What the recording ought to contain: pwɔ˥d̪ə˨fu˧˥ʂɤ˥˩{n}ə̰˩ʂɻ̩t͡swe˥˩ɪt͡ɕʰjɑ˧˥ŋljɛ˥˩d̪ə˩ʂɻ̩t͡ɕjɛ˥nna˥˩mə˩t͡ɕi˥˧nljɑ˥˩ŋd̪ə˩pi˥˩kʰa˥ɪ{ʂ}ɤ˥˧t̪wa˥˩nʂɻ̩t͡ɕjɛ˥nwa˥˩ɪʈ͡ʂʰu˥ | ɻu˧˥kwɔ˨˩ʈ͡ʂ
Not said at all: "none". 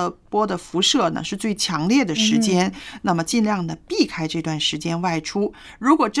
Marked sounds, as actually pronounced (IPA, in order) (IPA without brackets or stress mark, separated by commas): n, ʈ͡ʂ